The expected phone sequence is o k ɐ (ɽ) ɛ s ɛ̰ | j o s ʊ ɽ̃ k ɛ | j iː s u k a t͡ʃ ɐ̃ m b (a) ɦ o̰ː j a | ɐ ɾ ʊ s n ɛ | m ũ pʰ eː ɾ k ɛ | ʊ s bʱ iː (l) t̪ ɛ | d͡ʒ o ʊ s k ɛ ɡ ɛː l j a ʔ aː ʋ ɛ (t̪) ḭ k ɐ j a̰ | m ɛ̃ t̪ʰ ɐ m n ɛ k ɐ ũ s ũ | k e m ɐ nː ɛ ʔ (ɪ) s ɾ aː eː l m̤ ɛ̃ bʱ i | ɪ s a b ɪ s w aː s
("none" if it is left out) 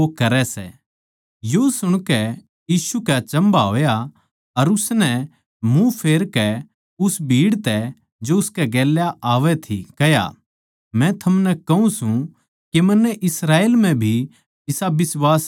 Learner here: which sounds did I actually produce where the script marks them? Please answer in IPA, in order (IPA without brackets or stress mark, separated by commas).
ɾ, a, ɽ, t̪ʰ, ɪ